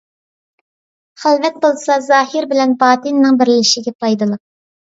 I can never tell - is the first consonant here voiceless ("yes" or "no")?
yes